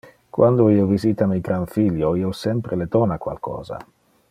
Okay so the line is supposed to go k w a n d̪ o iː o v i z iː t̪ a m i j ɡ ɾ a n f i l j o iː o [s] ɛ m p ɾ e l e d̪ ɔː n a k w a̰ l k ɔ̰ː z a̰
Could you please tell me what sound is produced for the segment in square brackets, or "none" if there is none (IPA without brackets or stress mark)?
s